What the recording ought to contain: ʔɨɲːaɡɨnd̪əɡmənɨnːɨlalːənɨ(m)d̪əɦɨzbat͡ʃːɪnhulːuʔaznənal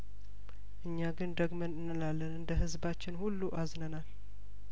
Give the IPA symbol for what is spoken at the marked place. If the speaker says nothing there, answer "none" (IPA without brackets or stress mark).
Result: n